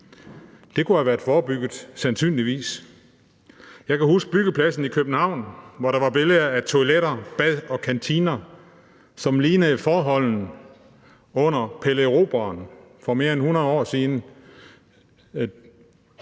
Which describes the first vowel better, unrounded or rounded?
unrounded